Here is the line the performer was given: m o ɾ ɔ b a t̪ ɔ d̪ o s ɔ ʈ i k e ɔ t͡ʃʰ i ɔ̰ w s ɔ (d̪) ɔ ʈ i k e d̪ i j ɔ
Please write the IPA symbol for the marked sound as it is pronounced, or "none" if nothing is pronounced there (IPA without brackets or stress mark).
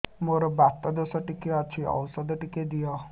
d̪